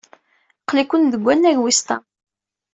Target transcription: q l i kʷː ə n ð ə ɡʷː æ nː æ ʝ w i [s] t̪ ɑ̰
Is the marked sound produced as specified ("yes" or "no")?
yes